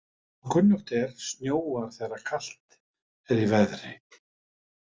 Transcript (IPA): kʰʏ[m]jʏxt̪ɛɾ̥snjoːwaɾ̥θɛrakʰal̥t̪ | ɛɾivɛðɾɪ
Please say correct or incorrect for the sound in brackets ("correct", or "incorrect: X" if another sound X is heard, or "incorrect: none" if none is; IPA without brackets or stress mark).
incorrect: n